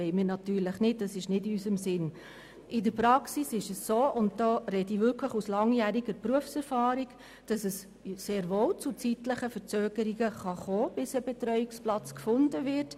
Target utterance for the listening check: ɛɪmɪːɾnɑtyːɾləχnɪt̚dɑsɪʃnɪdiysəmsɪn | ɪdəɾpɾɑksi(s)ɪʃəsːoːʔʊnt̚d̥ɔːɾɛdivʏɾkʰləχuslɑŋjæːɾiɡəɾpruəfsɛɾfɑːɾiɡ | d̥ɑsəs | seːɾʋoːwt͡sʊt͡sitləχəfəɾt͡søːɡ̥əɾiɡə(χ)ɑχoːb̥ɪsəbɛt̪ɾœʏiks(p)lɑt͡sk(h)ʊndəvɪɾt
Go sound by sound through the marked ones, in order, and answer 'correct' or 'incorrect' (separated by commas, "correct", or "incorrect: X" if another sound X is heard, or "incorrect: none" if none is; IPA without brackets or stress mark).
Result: correct, correct, correct, incorrect: f